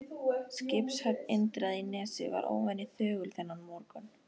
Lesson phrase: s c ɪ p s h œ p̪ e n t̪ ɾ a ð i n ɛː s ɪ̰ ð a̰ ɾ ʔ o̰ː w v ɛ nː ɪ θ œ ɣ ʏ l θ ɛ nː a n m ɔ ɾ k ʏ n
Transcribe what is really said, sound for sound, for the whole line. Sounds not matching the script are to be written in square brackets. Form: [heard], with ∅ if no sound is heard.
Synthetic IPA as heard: s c ɪ p s h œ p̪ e n t̪ ɾ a ð i n ɛː s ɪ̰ [v] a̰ ɾ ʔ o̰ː w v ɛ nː ɪ θ [œː] ɣ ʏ l θ ɛ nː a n m ɔ ɾ k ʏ n